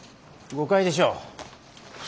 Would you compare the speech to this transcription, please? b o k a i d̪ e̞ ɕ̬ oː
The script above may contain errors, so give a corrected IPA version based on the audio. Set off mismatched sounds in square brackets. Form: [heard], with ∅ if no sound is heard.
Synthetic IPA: [ɡ] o k a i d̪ e̞ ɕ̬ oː